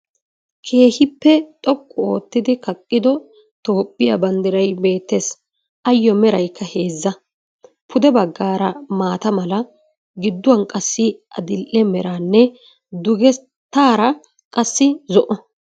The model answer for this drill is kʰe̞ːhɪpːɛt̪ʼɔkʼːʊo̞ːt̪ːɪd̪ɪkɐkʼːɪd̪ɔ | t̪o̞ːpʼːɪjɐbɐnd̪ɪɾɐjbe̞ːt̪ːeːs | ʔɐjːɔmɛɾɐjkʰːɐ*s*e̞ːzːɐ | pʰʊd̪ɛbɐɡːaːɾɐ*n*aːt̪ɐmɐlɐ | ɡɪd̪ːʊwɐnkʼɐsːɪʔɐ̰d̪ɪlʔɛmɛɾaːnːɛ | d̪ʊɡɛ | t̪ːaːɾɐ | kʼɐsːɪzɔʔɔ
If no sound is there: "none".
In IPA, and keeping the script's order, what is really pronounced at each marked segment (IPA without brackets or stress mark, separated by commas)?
h, m